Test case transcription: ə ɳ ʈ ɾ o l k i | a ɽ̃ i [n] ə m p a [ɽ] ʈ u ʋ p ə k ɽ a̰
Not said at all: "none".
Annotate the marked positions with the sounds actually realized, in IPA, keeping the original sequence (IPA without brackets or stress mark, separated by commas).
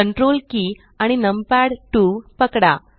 n, ɽ